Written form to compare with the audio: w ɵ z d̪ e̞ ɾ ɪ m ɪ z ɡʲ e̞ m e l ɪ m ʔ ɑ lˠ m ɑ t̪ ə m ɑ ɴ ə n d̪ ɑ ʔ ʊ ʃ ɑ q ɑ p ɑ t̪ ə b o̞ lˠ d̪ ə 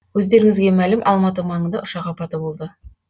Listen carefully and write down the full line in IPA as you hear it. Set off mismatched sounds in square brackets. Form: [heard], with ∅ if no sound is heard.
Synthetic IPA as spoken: w ɵ z d̪ e̞ ɾ ɪ [ŋ] ɪ z ɡʲ e̞ m [æ] l ɪ m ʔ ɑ lˠ m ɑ t̪ ə m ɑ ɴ ə n d̪ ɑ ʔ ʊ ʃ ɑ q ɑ p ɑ t̪ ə b o̞ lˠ d̪ ə